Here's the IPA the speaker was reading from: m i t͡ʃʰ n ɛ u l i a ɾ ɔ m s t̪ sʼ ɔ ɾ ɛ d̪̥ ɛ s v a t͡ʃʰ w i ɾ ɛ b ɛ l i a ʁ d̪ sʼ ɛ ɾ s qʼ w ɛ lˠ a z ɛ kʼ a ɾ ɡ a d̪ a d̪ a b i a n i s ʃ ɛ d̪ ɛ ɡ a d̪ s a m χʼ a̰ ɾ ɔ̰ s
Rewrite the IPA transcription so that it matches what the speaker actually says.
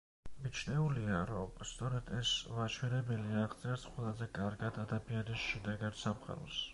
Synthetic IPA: m i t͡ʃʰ n ɛ u l i a ɾ ɔ m s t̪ sʼ ɔ ɾ ɛ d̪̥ ɛ s v a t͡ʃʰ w ɛ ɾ ɛ b ɛ l i a ʁ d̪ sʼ ɛ ɾ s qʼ w ɛ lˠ a z ɛ kʼ a ɾ ɡ a d̪ a d̪ a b i a n i s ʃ ɛ d̪ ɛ ɡ a d̪ s a m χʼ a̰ ɾ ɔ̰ s